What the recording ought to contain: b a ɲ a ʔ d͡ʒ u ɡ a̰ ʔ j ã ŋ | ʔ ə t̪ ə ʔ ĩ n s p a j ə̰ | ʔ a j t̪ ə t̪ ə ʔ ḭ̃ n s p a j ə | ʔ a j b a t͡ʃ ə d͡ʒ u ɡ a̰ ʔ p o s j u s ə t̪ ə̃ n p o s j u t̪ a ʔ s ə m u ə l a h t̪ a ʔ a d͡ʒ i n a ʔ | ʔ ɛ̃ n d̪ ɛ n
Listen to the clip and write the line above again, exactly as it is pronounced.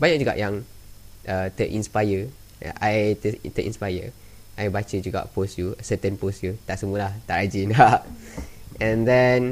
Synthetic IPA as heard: b a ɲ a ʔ d͡ʒ u ɡ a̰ ʔ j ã ŋ | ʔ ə t̪ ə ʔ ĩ n s p a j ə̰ | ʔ a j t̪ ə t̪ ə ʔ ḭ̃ n s p a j ə | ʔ a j b a t͡ʃ ə d͡ʒ u ɡ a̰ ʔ p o s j u s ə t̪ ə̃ n p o s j u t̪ a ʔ s ə m u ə l a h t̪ a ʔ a d͡ʒ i n a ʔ | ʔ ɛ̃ n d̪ ɛ n